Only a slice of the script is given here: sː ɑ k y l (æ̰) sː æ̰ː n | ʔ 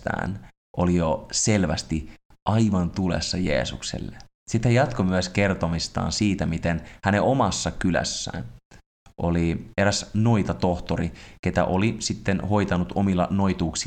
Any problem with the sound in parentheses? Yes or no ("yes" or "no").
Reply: no